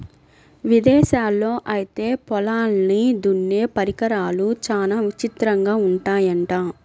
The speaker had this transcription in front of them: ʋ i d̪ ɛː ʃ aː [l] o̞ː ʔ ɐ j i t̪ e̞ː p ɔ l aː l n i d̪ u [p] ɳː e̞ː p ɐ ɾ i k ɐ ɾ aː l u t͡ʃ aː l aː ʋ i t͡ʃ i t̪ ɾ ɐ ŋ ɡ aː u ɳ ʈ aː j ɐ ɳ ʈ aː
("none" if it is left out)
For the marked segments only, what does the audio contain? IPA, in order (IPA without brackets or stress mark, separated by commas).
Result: lː, none